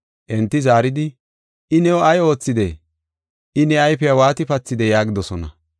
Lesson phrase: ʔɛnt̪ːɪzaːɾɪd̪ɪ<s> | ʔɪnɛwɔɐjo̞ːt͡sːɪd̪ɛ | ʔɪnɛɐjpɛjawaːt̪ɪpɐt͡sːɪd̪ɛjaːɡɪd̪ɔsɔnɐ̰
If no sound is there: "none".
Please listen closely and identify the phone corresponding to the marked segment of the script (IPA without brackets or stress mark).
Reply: none